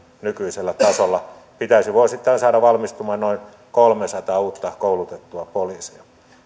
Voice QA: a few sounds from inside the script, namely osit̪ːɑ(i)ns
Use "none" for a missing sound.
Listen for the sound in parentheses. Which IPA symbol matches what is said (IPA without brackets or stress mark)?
i